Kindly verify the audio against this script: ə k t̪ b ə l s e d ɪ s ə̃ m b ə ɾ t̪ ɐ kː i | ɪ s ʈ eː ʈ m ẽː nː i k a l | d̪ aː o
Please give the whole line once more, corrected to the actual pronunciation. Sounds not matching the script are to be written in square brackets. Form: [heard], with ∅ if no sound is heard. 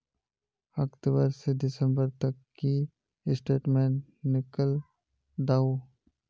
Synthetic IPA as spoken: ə k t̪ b ə [ɾ] s e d ɪ s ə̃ m b ə ɾ t̪ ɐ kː i | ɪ s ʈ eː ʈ m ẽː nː [ɪ] k [ə] l | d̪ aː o